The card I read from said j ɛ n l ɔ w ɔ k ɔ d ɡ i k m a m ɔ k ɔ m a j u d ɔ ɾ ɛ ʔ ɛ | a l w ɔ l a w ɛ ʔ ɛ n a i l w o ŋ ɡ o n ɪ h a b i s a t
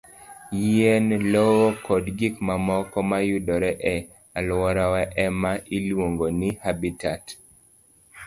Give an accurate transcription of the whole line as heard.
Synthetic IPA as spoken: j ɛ n l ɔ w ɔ k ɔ d ɡ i k m a m ɔ k ɔ m a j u d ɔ ɾ ɛ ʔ ɛ | a l w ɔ ɾ a w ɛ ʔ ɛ m a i l w o ŋ ɡ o n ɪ h a b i t a t